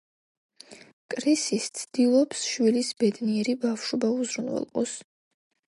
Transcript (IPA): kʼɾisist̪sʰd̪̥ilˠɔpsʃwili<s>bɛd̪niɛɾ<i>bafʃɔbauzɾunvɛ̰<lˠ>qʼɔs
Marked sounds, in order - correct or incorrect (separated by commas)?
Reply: correct, correct, correct